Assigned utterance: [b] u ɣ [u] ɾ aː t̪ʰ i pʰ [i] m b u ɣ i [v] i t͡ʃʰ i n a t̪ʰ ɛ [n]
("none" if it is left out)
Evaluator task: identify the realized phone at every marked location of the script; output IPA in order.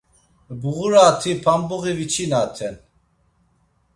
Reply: b, u, a, v, n

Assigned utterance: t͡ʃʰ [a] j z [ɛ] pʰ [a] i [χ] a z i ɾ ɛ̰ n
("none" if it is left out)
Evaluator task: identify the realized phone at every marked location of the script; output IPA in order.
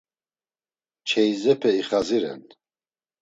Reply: ɛ, ɛ, ɛ, χ

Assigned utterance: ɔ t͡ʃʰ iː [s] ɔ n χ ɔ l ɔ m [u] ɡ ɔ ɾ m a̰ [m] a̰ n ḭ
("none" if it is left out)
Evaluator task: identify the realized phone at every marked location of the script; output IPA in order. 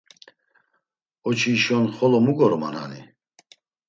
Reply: ʃ, u, n

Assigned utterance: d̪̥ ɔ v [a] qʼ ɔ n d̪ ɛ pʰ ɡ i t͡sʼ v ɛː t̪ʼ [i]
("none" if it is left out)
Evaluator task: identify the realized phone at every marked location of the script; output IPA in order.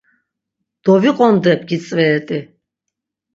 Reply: i, i

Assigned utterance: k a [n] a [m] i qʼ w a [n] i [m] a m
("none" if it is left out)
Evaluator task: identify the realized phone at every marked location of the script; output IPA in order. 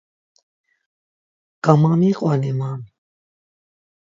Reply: m, m, n, m

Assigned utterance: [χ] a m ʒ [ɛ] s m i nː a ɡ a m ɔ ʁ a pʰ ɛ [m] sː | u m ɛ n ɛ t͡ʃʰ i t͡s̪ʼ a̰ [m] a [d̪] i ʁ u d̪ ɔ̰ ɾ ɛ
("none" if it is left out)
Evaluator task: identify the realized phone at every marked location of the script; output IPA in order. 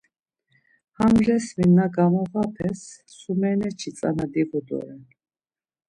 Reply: h, ɛ, none, n, d̪

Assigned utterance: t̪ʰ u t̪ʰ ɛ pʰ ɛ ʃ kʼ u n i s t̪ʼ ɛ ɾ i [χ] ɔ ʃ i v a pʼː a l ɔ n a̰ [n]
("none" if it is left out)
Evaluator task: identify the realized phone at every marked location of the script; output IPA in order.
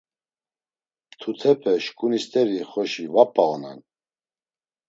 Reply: χ, n

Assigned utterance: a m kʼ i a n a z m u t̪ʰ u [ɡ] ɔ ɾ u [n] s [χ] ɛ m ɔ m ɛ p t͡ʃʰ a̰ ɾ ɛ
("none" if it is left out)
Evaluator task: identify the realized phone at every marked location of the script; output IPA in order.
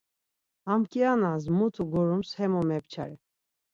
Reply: ɡ, m, h

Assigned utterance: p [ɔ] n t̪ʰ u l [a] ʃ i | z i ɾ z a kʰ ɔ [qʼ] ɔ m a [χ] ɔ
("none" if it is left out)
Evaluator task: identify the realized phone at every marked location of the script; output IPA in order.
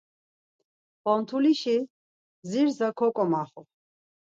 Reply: ɔ, i, kʼ, χ

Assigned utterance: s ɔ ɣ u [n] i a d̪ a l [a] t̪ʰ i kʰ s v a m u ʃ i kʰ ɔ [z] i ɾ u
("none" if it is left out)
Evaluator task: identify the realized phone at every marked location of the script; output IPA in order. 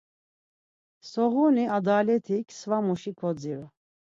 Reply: n, ɛ, d͡z

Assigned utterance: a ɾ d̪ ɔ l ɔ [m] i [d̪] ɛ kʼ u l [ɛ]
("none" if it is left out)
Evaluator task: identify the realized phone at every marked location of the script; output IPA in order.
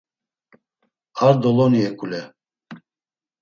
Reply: n, none, ɛ

